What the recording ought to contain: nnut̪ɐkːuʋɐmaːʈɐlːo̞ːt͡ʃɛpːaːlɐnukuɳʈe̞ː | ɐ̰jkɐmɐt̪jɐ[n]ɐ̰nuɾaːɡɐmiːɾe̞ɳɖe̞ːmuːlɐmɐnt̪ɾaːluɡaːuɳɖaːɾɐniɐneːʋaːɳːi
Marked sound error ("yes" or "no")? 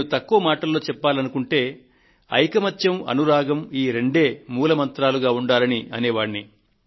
yes